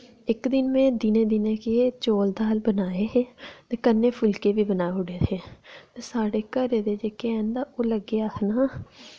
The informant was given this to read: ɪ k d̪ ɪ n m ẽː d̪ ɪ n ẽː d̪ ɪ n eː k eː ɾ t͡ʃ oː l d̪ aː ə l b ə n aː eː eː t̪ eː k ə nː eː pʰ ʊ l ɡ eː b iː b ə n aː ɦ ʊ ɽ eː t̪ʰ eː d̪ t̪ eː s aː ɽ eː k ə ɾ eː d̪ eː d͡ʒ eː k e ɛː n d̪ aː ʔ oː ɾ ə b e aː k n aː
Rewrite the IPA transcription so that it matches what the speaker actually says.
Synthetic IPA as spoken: ɪ k d̪ ɪ n m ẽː d̪ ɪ n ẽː d̪ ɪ n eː k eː t͡ʃ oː l d̪ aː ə l b ə n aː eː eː t̪ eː k ə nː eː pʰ ʊ l k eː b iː b ə n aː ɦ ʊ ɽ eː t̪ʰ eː t̪ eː s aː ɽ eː k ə ɾ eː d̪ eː d͡ʒ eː k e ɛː n d̪ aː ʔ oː l ə ɡ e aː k n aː

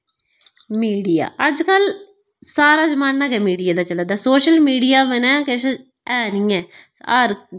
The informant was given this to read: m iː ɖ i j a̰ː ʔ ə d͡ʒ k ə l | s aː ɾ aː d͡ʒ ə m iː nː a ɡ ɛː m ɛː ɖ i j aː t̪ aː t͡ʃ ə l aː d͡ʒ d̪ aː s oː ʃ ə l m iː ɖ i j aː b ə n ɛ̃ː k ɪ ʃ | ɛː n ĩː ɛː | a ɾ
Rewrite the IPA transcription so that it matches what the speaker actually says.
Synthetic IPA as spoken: m iː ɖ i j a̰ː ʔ ə d͡ʒ k ə l | s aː ɾ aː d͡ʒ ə m aː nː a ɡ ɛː m iː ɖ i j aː d̪ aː t͡ʃ ə l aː d̪ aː s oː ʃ ə l m iː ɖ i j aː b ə n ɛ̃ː k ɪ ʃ | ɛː n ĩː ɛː | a ɾ

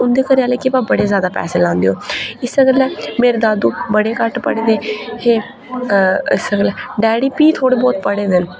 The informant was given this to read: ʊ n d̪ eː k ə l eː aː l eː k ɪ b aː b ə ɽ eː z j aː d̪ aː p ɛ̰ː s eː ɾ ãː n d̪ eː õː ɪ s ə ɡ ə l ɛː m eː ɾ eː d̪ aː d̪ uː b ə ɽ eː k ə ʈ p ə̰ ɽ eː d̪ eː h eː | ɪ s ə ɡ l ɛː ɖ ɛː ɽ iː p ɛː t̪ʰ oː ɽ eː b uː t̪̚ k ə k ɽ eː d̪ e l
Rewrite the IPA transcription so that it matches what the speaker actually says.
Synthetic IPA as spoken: ʊ n d̪ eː k ə ɾ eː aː l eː k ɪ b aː b ə ɽ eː z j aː d̪ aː p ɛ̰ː s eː l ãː n d̪ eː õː ɪ s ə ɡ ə l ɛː m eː ɾ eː d̪ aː d̪ uː b ə ɽ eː k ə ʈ p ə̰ ɽ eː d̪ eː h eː | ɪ s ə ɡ l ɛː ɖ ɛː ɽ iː p iː t̪ʰ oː ɽ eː b ɔː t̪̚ p ə ɽ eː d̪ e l

